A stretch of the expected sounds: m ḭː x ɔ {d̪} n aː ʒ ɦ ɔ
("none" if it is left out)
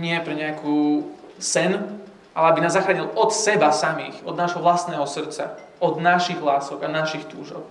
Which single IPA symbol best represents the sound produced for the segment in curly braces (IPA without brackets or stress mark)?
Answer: d̪